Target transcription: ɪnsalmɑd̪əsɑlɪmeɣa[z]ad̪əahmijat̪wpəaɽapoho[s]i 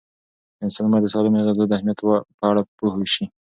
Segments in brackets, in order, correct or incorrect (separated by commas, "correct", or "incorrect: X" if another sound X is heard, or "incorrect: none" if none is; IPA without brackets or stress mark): correct, incorrect: ʃ